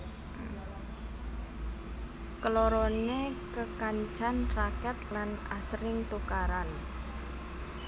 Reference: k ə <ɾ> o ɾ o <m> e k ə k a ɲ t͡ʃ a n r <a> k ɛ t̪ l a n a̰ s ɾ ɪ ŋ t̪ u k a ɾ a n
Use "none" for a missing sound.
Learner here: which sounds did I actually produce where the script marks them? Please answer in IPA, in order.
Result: l, n, a

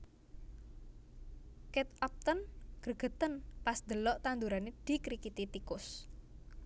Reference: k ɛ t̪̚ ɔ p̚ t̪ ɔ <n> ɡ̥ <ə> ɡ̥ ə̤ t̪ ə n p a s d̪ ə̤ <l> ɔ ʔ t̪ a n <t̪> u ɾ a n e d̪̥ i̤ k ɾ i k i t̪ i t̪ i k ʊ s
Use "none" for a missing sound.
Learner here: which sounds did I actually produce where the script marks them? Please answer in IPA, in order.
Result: n, ə, l, d̪

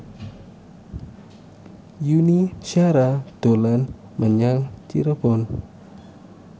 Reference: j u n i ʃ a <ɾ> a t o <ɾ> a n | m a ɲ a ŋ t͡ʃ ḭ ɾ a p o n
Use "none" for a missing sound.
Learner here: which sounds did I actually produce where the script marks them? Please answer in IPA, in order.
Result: ɾ, l

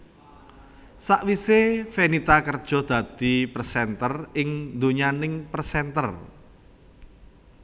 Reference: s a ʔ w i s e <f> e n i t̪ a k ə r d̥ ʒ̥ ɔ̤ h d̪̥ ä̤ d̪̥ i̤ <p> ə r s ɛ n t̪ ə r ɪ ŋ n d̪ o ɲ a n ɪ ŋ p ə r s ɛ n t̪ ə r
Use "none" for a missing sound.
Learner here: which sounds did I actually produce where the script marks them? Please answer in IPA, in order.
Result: f, p

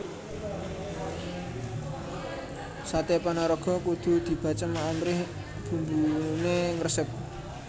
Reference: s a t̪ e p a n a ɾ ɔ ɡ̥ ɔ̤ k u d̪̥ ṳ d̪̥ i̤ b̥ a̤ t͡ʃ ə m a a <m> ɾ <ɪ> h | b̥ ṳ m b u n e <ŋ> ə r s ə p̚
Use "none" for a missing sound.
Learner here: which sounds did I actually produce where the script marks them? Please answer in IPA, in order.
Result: m, ɪ, ŋ

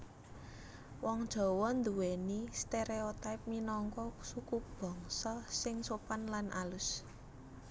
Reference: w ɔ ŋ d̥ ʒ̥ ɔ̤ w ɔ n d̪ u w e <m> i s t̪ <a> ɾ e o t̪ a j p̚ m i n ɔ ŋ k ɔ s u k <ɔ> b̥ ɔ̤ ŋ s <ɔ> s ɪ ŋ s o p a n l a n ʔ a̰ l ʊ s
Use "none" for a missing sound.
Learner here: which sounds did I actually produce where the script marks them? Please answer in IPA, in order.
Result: n, e, u, ɔ

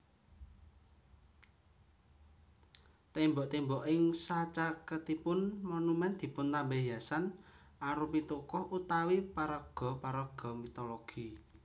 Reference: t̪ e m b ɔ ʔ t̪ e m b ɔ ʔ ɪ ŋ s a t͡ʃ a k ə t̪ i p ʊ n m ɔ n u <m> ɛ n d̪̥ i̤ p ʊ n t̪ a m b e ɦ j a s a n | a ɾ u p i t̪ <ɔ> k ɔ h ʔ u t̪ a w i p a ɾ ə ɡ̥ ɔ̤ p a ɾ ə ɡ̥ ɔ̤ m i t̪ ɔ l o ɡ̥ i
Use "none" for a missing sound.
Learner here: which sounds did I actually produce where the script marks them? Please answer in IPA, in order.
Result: m, u

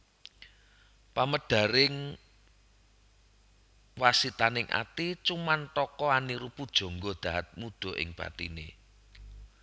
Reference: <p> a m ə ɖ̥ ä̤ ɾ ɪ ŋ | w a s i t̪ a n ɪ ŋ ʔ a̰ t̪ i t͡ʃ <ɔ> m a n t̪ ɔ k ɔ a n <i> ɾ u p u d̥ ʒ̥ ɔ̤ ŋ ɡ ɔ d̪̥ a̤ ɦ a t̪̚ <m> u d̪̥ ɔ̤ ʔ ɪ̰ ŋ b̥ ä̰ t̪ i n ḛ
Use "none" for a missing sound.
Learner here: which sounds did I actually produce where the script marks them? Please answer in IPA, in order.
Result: p, u, i, m

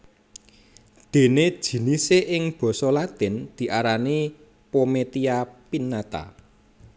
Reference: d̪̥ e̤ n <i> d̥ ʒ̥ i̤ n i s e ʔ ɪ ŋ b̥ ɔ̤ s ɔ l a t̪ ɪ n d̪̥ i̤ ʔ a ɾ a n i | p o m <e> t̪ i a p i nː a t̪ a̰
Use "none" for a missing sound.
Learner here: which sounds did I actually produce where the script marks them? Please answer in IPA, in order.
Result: e, e

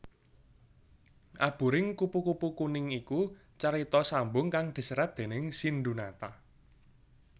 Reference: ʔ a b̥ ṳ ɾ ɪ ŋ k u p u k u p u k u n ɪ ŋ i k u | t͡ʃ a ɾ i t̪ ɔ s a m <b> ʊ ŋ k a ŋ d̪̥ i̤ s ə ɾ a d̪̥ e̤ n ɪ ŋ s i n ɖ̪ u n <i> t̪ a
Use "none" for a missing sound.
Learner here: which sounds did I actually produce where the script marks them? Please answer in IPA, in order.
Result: b, a

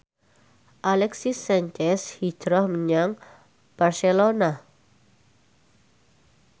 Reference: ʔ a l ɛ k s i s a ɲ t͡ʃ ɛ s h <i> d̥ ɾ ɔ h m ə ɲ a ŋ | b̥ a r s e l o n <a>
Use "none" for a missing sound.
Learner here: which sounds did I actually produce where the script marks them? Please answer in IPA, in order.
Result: i, a

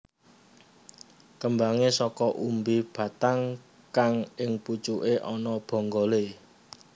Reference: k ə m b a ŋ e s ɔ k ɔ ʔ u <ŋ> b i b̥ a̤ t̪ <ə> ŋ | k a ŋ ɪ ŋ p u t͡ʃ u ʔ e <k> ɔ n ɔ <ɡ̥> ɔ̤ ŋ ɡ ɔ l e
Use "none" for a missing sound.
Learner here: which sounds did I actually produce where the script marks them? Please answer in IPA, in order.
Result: m, a, ʔ, b̥

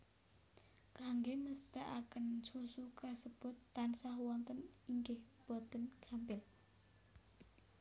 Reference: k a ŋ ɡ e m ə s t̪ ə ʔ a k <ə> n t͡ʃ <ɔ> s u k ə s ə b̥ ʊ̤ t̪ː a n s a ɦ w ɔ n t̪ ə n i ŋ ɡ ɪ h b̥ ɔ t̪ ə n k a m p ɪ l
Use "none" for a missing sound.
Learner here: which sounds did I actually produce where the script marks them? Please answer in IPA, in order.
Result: ə, u

